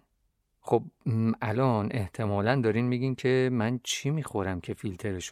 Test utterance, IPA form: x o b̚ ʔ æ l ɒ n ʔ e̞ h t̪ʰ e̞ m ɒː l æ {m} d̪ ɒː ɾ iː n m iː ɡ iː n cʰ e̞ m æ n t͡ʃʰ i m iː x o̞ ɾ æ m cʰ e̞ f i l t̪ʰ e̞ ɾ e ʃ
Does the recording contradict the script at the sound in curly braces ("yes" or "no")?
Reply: yes